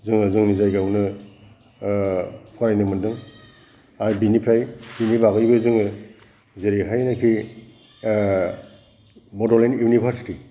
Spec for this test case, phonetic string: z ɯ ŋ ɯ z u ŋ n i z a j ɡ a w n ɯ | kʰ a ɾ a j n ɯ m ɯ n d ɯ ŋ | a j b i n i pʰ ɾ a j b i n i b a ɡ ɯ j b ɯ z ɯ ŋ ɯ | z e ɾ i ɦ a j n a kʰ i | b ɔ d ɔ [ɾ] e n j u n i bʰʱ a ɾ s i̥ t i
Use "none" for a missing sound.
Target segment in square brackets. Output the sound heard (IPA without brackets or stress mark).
l